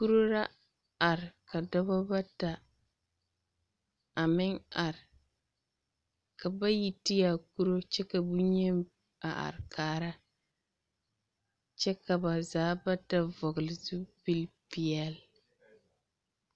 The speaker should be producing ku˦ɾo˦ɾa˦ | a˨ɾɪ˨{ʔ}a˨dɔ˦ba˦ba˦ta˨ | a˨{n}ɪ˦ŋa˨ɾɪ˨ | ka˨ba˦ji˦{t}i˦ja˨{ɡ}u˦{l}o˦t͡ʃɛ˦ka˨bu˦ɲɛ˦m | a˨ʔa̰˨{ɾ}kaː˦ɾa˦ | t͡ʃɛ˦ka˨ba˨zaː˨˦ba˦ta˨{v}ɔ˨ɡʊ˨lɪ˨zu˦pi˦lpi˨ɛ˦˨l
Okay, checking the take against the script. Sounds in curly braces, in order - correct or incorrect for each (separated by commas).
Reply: incorrect, incorrect, correct, incorrect, incorrect, correct, correct